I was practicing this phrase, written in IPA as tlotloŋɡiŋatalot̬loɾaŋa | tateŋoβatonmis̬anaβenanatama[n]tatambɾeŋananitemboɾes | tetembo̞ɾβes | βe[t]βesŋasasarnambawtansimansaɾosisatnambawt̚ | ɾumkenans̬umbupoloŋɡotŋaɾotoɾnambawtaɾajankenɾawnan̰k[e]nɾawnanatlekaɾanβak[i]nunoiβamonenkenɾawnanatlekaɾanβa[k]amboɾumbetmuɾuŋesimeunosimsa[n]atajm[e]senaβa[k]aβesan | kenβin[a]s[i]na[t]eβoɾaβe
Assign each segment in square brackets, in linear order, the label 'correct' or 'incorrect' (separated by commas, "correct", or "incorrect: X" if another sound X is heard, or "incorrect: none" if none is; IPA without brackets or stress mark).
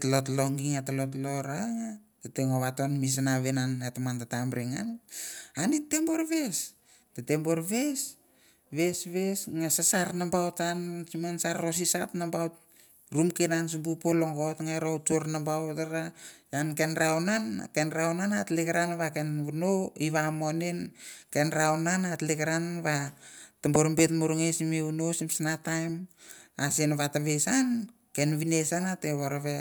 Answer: correct, incorrect: s, correct, incorrect: e, incorrect: t, correct, incorrect: a, incorrect: t, incorrect: e, incorrect: a, correct